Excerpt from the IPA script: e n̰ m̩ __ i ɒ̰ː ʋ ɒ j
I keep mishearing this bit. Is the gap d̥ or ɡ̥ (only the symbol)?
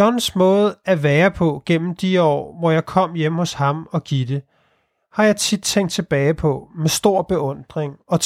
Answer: d̥